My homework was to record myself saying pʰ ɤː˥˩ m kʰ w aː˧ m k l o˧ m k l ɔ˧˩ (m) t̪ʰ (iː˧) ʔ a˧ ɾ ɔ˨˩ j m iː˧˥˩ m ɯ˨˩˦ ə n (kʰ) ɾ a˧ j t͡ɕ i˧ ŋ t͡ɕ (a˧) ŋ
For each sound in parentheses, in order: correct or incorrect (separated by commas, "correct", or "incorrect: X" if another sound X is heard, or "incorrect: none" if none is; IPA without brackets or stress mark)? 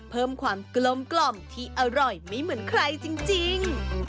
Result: correct, incorrect: iː˥˩, correct, incorrect: i˧